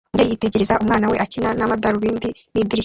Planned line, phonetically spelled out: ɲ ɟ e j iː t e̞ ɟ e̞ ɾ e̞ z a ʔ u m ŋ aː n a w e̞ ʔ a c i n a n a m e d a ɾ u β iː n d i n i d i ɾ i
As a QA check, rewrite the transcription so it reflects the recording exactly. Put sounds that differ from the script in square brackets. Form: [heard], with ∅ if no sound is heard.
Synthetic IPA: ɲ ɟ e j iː t e̞ ɟ e̞ ɾ e̞ z a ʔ u m ŋ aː n a w e̞ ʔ a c i n a n a m [a] d a ɾ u β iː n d i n i d i ɾ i